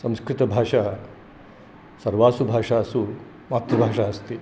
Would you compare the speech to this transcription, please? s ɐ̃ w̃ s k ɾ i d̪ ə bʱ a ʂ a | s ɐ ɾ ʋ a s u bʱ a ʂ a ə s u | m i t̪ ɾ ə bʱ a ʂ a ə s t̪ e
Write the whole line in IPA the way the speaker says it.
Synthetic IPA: s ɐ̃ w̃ s k ɾ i t̪ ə bʱ a ʂ a | s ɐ ɾ ʋ a s u bʱ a ʂ a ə s u | m a t̪ ɾ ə bʱ a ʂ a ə s t̪ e